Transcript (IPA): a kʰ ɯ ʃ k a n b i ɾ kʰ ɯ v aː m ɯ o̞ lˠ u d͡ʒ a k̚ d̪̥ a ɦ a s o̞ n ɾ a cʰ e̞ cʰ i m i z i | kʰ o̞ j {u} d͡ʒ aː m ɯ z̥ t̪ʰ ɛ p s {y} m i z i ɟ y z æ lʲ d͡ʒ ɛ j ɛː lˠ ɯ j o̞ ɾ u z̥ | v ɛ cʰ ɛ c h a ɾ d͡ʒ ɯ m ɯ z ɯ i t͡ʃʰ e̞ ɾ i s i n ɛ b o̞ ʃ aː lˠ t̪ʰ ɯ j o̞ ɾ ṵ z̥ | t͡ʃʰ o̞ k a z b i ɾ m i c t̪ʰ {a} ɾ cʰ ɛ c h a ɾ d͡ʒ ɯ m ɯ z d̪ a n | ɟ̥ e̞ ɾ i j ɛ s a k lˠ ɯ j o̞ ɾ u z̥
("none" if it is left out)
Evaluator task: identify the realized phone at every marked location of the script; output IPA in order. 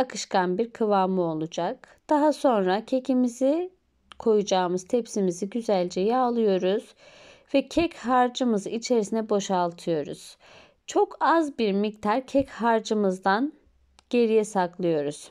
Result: u, i, a

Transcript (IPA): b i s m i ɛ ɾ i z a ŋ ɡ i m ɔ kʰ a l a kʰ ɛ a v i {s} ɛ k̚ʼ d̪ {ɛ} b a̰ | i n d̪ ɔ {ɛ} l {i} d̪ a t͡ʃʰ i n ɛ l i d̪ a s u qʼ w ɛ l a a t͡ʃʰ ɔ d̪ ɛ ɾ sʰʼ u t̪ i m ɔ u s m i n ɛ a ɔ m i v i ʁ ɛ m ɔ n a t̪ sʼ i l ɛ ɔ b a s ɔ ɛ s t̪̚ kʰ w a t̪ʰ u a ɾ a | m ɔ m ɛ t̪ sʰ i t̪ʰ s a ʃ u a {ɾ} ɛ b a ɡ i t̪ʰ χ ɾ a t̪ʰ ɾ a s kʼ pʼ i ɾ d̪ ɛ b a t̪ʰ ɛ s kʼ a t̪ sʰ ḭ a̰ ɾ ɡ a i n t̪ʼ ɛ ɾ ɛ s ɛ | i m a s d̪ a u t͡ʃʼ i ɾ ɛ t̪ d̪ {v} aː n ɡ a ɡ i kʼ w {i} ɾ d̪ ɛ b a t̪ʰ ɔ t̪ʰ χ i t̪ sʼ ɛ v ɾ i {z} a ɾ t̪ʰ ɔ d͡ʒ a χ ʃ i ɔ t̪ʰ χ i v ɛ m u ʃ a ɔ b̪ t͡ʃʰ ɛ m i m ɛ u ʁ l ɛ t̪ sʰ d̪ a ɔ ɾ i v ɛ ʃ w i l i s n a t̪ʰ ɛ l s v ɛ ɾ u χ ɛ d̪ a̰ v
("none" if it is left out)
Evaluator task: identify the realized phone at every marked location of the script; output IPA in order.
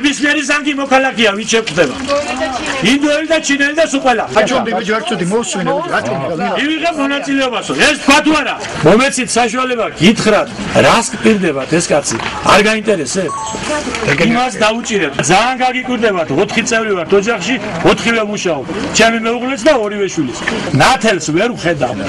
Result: ʃ, ɛ, ɛ, i, l, z, i, v

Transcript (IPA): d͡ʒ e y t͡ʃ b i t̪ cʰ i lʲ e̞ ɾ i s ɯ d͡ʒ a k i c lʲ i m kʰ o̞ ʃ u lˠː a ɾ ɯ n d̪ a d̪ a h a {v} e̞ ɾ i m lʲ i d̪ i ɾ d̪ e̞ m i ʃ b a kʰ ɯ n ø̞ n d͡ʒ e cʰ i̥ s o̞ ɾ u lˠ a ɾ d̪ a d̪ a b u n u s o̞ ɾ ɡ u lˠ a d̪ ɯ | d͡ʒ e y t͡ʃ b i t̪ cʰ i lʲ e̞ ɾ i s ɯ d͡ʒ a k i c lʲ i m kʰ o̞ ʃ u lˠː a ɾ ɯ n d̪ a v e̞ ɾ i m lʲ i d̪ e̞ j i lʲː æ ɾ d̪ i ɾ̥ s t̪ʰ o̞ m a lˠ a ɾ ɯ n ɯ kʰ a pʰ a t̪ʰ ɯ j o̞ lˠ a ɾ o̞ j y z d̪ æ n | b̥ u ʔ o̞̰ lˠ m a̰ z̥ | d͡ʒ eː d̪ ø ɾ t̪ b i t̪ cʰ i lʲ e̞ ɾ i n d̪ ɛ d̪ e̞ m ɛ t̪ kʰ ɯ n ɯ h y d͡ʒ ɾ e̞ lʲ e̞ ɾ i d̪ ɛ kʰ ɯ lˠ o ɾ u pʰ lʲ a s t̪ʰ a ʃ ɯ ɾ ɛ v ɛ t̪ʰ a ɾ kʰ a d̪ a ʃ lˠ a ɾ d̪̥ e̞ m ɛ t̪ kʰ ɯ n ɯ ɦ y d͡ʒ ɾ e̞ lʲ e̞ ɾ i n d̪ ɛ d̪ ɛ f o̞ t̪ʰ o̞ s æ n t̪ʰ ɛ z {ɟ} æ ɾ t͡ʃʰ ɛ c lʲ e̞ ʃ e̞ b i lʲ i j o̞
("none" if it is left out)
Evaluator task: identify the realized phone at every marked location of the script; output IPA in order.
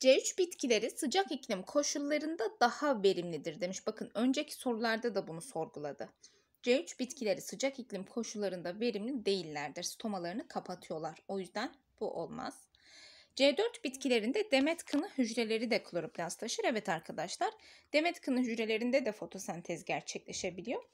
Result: v, ɟ

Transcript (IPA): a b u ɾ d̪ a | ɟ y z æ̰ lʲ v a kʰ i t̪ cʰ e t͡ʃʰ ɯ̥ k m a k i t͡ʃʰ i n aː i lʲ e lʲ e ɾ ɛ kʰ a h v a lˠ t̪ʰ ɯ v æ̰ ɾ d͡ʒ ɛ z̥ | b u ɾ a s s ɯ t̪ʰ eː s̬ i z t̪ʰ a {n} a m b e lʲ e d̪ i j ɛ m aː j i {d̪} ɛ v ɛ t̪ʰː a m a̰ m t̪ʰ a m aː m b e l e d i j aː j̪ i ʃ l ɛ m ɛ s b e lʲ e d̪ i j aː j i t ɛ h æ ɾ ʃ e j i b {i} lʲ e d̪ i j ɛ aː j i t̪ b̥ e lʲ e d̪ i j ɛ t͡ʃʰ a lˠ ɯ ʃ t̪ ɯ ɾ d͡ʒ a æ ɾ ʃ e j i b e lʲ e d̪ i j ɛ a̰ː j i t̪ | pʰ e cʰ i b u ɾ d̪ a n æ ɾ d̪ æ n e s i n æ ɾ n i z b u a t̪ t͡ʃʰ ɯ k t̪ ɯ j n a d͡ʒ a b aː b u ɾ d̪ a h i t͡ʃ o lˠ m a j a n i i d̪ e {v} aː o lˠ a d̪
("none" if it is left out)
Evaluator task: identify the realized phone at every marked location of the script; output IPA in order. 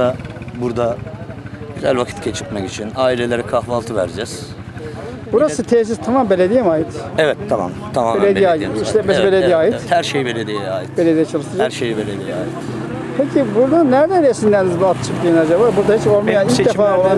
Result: m, t̪, e, f

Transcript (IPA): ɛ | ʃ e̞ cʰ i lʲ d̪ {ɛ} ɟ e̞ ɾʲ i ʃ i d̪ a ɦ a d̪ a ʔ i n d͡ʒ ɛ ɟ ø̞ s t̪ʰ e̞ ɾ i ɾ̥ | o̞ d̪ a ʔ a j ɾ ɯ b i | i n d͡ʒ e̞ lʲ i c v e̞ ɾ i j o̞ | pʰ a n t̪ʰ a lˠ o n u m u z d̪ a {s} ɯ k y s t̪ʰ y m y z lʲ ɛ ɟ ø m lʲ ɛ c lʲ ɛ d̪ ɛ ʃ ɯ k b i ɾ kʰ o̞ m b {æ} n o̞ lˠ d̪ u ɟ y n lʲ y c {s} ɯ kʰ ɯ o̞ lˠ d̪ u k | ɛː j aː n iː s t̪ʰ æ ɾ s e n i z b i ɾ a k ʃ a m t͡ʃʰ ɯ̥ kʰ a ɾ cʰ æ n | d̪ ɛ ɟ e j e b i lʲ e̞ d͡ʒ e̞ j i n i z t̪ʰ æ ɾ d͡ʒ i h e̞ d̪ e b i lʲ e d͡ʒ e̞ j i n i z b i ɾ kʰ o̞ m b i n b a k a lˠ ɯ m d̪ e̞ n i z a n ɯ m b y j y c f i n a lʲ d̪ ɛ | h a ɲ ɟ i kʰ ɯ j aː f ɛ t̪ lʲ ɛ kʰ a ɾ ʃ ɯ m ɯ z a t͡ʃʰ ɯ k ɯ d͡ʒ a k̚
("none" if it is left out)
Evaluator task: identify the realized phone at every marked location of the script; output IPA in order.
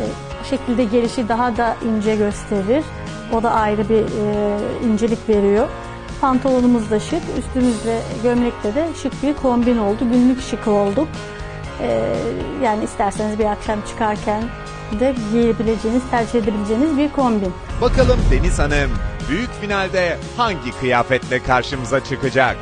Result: ɛ, ʃ, i, ʃ

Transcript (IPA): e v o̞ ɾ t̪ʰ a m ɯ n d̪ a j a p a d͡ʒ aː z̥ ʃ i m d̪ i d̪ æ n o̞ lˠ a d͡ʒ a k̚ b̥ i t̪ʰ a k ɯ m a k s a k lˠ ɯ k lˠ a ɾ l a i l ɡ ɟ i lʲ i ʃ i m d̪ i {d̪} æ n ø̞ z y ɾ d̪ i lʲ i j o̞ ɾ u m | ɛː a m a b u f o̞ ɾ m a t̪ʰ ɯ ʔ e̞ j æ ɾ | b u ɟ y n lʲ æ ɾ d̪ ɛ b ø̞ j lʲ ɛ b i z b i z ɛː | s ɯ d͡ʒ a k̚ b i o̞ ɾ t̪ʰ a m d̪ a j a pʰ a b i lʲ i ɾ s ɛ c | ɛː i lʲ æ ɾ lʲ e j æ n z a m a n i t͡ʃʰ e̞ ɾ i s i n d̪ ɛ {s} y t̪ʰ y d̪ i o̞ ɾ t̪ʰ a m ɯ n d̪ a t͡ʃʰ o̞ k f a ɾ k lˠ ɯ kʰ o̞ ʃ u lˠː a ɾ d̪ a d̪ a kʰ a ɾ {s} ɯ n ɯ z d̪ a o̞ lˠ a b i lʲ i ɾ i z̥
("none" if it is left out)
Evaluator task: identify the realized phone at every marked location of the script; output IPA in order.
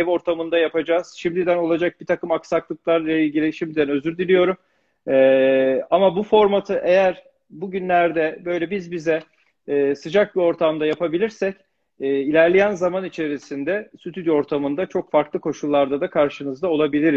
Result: d̪, s, ʃ

